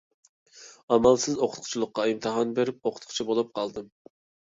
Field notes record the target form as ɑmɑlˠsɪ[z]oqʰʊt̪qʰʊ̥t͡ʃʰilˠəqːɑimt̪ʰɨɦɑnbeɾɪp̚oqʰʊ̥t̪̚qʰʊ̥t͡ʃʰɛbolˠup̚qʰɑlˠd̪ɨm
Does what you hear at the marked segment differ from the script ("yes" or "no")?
no